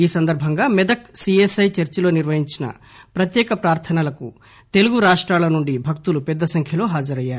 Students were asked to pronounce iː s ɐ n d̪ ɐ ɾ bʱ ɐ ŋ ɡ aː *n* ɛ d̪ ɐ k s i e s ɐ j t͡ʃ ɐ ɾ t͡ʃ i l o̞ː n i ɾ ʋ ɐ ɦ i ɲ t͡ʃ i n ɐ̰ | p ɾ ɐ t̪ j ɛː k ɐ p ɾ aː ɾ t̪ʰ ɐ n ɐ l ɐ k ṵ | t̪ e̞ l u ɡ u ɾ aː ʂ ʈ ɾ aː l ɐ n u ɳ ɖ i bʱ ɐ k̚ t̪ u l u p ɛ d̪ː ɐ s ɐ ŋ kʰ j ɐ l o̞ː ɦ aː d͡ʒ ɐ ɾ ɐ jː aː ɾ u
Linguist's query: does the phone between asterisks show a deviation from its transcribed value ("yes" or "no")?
yes